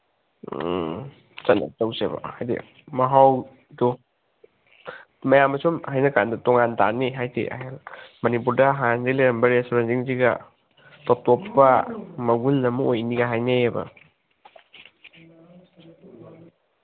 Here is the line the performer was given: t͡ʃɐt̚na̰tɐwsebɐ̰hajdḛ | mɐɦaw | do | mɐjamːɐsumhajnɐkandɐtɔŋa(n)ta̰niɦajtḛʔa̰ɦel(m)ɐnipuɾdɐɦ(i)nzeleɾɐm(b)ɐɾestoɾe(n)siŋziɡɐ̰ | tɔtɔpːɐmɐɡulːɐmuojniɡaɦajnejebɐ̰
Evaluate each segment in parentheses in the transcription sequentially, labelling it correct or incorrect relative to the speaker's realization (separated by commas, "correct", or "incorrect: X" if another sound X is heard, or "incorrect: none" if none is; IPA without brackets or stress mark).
correct, correct, incorrect: a, correct, correct